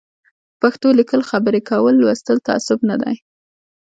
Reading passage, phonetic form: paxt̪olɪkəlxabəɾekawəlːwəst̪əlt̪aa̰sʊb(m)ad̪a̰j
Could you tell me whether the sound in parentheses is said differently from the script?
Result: yes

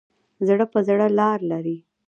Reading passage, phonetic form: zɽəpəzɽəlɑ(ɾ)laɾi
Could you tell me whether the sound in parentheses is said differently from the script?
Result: no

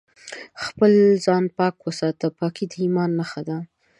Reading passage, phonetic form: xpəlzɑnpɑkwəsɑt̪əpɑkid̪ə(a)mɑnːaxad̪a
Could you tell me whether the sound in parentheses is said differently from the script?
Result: yes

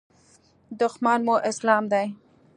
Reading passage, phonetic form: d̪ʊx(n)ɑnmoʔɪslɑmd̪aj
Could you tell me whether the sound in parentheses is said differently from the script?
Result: yes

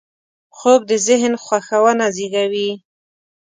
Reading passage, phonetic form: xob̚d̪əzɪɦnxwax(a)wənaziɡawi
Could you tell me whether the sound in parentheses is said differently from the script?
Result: no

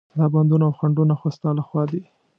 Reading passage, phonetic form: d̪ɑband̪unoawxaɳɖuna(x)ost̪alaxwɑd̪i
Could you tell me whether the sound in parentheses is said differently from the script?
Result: no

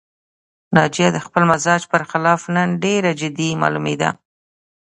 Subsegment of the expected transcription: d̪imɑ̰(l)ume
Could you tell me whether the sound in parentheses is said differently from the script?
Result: no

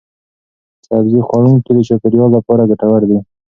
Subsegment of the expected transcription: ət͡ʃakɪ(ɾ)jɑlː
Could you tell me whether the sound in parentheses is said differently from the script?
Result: no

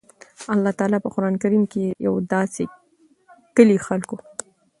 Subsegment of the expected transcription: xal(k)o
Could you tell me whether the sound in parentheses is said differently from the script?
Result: no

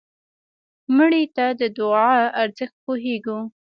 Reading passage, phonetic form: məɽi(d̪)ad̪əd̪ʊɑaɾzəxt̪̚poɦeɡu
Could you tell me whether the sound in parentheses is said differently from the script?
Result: yes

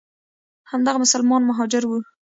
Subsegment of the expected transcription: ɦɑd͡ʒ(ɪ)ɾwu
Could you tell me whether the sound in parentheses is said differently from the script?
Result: no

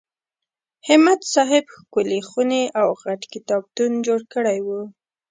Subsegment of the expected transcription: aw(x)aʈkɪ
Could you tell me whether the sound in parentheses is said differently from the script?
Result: yes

